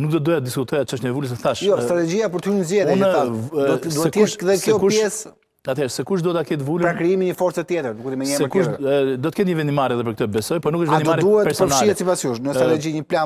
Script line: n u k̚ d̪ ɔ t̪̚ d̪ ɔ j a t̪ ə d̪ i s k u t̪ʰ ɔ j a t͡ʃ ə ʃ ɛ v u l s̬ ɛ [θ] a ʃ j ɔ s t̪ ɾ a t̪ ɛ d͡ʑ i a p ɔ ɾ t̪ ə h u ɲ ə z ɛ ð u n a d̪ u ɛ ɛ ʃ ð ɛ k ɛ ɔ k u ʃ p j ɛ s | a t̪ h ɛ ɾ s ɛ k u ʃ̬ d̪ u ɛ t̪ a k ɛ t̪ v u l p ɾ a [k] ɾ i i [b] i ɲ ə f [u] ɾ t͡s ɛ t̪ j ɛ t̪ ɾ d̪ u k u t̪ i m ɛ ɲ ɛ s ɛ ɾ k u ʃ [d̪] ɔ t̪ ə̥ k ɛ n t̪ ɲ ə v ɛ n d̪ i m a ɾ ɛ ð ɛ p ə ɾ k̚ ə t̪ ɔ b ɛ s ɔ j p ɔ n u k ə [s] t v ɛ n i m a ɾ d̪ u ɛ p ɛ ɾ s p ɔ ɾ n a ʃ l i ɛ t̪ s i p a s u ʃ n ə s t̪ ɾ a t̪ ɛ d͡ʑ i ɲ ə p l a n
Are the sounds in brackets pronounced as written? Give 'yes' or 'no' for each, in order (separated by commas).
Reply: yes, yes, no, no, yes, no